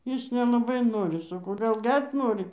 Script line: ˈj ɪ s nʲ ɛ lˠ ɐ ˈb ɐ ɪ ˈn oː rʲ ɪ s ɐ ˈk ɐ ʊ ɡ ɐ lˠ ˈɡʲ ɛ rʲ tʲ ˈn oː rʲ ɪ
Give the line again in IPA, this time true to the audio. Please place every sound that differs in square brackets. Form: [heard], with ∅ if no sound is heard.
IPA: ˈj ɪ s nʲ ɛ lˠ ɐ ˈb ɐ ɪ ˈn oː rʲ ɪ s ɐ ˈk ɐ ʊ ɡ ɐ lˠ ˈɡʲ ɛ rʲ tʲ ˈn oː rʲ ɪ